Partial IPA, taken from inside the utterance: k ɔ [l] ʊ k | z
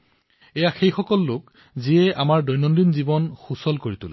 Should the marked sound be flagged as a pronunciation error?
yes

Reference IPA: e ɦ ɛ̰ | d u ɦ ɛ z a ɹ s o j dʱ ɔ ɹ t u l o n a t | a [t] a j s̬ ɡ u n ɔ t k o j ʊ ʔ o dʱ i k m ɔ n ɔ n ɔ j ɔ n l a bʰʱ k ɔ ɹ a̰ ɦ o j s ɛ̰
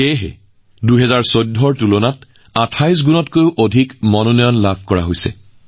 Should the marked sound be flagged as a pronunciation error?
yes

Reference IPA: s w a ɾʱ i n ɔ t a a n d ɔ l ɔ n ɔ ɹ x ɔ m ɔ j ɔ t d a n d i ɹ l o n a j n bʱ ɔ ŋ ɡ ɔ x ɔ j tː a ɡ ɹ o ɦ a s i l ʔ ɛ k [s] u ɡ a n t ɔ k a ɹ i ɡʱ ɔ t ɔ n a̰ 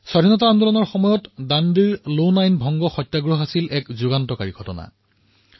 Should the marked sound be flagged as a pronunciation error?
yes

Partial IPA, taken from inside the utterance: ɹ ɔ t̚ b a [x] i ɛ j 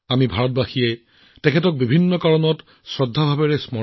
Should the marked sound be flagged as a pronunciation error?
no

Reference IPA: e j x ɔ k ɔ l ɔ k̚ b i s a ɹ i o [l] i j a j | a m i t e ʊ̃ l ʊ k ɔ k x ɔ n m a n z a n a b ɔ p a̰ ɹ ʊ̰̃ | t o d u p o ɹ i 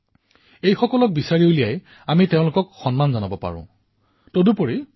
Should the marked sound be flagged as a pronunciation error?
no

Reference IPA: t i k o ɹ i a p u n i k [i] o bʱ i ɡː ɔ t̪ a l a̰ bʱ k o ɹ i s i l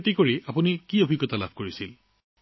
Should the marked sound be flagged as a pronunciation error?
no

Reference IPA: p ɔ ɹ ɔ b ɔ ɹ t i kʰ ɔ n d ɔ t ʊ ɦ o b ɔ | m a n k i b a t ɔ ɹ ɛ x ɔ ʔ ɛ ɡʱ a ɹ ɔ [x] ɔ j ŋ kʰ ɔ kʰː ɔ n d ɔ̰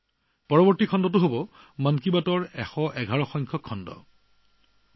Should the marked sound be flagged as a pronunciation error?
no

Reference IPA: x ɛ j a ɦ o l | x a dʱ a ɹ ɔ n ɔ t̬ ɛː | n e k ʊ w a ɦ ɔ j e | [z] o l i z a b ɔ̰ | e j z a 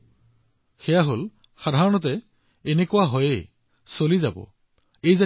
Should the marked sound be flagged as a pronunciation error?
yes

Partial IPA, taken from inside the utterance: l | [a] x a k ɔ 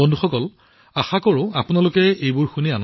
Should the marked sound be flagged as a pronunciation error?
no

